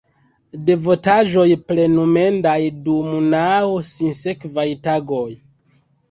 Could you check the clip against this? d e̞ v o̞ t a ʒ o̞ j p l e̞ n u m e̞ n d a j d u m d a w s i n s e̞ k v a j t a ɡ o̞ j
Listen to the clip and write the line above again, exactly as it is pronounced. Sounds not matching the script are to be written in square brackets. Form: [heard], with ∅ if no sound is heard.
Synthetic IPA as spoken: d e̞ v o̞ t a ʒ o̞ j p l e̞ n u m e̞ n d a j d u m [n] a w s i n s e̞ k v a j t a ɡ o̞ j